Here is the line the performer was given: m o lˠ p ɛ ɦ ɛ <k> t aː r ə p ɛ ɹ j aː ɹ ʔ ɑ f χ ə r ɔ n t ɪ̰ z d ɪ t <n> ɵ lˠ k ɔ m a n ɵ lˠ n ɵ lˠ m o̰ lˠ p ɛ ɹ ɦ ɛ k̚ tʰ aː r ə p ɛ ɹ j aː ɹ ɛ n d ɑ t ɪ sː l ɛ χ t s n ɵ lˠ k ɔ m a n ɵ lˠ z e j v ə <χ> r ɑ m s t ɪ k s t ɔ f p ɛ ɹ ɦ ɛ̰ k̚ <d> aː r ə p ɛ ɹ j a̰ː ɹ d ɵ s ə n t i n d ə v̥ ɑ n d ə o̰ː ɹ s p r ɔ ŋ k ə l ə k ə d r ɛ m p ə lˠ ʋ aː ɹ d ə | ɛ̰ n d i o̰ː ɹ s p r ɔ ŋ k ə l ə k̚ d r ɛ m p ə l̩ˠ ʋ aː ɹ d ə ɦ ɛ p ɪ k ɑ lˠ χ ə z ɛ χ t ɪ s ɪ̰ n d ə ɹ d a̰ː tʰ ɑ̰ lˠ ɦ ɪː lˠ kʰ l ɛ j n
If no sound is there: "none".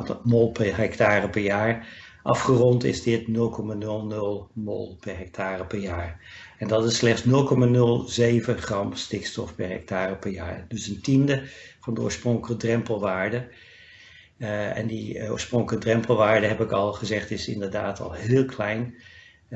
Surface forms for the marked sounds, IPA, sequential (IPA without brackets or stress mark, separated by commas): k, n, χ, t